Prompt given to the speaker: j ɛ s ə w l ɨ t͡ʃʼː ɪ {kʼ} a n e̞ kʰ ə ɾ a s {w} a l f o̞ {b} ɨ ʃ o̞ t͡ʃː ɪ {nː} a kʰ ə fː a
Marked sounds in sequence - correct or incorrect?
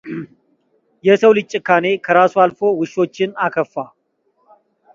incorrect, incorrect, incorrect, incorrect

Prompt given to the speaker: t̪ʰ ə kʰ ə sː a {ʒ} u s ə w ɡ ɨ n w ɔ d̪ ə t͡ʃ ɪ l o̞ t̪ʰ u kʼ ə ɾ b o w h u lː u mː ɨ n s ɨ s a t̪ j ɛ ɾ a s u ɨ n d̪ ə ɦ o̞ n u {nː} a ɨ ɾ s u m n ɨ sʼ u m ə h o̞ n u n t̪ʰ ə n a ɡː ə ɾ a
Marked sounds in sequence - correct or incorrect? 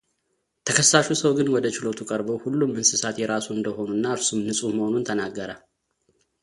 incorrect, correct

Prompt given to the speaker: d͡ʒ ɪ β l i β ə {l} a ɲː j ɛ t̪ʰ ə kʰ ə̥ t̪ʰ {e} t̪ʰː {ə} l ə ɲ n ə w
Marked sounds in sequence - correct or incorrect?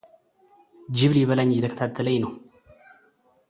correct, incorrect, correct

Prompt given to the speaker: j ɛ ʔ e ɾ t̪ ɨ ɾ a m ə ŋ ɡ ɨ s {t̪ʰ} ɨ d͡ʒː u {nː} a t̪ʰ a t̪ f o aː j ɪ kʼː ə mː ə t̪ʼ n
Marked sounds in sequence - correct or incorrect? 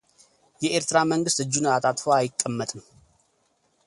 incorrect, incorrect

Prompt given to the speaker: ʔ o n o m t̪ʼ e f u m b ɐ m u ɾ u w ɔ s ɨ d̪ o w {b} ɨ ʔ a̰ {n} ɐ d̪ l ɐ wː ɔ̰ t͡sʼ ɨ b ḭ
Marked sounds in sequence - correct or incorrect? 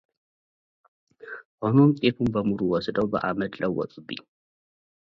correct, incorrect

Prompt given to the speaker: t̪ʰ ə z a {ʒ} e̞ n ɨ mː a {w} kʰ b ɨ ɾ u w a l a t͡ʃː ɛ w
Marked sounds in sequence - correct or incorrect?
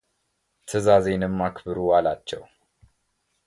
incorrect, incorrect

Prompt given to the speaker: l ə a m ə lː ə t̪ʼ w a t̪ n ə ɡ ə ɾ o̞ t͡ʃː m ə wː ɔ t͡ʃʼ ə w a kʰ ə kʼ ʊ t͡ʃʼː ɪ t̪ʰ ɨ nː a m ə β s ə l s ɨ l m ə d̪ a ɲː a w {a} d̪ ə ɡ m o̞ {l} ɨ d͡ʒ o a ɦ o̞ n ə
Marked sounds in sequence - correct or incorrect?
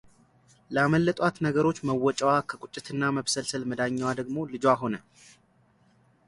correct, correct

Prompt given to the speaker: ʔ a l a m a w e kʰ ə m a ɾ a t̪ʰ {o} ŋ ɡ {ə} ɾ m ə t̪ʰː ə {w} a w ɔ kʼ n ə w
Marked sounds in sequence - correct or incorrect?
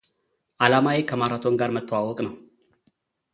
correct, incorrect, correct

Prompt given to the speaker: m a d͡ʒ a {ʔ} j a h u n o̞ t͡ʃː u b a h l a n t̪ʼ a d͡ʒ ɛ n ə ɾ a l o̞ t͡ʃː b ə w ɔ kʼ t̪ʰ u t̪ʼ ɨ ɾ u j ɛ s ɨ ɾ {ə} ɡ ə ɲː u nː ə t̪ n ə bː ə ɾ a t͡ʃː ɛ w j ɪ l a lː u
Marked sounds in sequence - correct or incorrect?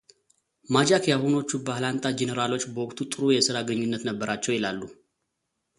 incorrect, incorrect

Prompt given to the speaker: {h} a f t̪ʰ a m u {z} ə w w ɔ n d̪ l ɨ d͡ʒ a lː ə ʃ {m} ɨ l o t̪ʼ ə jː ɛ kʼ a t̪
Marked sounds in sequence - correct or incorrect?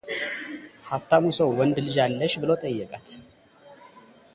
correct, incorrect, incorrect

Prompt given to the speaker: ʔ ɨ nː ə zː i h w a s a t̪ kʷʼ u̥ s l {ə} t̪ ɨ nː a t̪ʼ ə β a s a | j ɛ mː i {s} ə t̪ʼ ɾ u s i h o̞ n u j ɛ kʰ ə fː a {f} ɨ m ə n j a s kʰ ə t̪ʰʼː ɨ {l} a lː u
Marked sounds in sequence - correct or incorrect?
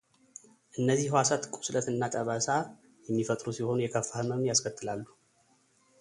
correct, incorrect, incorrect, correct

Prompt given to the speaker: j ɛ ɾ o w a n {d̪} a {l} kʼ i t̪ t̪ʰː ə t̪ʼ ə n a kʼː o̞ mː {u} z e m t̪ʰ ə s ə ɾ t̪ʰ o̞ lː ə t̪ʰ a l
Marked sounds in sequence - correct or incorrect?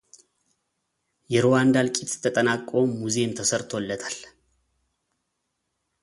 correct, correct, correct

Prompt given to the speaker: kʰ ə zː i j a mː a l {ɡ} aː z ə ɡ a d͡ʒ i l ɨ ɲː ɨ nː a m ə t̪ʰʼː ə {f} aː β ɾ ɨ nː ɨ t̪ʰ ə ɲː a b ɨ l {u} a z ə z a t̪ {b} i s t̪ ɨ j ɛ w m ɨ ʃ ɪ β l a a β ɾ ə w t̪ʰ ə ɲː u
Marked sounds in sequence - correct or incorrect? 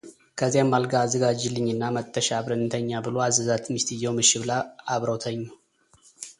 correct, incorrect, incorrect, incorrect

